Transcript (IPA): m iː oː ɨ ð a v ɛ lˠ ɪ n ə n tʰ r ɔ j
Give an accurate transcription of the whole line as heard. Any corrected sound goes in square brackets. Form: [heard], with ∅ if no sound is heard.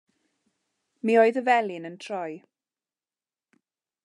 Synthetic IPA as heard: m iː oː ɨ ð [ə] v ɛ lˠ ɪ n ə n tʰ r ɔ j